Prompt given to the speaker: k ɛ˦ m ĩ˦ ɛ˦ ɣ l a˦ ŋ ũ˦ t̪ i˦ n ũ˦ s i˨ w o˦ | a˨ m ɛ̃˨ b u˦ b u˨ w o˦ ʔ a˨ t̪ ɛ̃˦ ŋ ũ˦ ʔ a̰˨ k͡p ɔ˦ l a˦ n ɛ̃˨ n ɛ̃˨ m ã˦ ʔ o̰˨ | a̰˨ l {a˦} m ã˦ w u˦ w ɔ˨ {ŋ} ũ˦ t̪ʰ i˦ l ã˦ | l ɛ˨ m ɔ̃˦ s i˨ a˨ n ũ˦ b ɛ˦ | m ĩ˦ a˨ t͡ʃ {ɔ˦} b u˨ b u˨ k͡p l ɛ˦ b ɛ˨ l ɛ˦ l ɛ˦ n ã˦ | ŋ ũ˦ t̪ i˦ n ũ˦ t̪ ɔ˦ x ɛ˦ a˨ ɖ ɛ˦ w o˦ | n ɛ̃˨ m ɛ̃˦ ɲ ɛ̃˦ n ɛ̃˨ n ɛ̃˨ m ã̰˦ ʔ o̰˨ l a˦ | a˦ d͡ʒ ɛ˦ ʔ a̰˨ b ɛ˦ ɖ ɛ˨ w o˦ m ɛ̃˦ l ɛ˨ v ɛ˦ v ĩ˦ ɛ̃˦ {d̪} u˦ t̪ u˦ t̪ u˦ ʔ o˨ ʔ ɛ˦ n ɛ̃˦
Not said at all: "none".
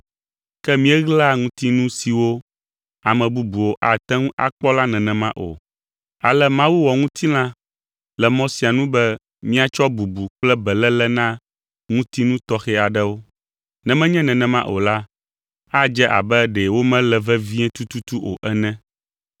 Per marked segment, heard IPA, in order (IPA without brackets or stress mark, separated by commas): ɛ˦, ŋ, ɔ˦, t̪